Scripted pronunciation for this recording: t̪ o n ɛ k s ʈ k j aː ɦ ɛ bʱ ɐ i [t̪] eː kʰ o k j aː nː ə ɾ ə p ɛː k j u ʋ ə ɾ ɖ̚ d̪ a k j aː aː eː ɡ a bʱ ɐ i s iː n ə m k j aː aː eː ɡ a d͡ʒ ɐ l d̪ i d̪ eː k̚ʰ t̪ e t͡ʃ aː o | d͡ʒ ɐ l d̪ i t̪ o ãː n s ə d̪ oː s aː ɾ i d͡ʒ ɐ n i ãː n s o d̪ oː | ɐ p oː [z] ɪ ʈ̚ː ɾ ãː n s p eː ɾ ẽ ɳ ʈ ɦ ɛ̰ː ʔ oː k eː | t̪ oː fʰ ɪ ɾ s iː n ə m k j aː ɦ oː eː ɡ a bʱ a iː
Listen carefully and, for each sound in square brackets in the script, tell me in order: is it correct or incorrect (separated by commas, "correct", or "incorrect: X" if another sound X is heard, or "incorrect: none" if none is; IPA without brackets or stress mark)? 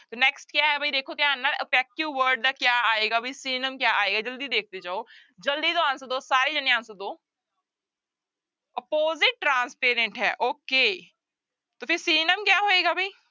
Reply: incorrect: d̪, correct